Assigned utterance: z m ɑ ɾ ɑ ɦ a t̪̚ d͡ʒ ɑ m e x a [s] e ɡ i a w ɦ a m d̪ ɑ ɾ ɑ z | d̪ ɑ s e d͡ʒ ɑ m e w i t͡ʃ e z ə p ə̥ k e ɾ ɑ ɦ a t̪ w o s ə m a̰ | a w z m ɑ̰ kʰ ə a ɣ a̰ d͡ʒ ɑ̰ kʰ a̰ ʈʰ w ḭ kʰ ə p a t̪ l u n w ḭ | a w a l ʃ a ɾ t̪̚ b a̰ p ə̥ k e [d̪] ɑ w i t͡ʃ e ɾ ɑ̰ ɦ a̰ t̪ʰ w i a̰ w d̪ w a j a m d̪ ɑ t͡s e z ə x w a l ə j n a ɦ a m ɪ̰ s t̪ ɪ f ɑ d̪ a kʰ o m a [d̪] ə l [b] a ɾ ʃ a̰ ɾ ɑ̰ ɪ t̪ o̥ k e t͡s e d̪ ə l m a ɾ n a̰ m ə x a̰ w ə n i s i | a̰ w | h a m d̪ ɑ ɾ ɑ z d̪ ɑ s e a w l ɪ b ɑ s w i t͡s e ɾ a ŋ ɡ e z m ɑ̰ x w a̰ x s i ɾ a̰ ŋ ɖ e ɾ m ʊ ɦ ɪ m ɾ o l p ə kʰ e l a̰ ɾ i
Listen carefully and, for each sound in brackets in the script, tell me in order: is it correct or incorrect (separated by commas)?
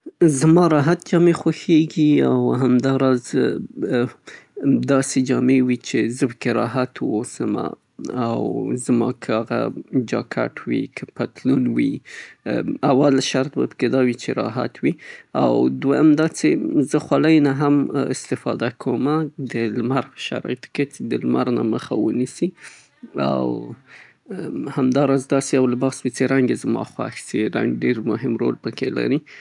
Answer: incorrect, correct, correct, incorrect